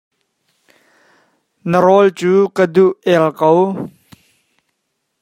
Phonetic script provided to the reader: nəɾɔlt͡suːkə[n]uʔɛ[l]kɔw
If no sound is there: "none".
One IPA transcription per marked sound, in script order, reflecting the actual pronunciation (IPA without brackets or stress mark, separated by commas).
d, l